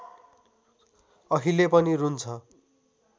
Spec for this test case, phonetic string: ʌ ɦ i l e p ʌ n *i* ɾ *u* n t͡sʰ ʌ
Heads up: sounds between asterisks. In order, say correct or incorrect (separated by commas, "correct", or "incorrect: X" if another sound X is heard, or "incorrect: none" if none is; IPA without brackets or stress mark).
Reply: correct, correct